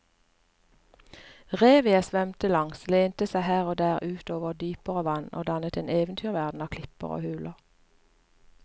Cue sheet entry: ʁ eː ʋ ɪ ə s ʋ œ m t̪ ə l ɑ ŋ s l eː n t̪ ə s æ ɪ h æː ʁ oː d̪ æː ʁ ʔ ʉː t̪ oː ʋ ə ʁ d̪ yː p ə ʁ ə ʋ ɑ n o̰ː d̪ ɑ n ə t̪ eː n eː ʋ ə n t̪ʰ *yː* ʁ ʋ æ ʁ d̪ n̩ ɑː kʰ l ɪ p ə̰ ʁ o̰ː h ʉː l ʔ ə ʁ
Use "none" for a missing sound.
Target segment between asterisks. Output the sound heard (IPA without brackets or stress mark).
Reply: yː